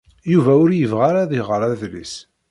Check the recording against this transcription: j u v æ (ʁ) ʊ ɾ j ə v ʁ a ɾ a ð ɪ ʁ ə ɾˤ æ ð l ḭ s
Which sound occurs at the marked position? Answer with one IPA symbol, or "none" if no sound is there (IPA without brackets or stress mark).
none